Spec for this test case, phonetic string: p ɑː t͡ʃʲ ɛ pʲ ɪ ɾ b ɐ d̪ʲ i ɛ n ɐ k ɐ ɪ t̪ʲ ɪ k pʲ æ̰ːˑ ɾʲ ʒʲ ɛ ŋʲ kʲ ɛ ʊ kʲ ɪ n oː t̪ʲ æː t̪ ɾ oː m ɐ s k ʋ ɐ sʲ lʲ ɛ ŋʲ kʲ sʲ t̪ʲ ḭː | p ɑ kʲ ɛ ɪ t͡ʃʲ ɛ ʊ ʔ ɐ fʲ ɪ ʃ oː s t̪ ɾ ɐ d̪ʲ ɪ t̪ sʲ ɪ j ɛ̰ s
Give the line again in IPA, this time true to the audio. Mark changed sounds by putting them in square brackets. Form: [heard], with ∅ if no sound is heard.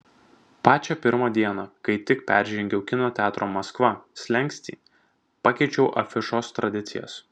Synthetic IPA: p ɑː t͡ʃʲ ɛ pʲ ɪ ɾ [m] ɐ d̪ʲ i ɛ n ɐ k ɐ ɪ t̪ʲ ɪ k pʲ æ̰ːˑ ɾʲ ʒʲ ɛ ŋʲ [ɡʲ] ɛ ʊ kʲ ɪ n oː t̪ʲ æː t̪ ɾ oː m ɐ s k ʋ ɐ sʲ lʲ ɛ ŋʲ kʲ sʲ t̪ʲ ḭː | p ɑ kʲ ɛ ɪ t͡ʃʲ ɛ ʊ ʔ ɐ fʲ ɪ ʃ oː s t̪ ɾ ɐ d̪ʲ ɪ t̪ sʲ ɪ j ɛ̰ s